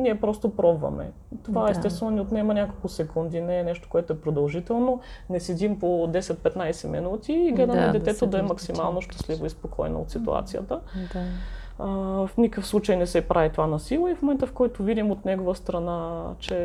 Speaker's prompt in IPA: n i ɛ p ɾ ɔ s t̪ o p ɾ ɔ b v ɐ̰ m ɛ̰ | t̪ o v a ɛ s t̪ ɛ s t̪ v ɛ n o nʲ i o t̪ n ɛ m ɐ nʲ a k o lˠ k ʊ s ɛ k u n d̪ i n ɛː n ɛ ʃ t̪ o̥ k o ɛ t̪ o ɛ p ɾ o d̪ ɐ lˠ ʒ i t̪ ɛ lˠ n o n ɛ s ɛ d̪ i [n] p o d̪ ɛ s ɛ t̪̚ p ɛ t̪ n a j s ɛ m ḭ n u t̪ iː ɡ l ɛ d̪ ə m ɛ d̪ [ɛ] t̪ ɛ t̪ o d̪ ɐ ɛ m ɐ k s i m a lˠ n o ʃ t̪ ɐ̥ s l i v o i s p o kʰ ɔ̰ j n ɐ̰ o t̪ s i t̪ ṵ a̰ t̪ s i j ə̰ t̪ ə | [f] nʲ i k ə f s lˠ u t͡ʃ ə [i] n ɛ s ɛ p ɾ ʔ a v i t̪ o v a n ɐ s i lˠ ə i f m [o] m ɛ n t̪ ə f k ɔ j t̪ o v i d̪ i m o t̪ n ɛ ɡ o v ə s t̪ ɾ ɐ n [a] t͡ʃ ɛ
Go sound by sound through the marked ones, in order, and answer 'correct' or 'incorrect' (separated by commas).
incorrect, correct, correct, incorrect, correct, correct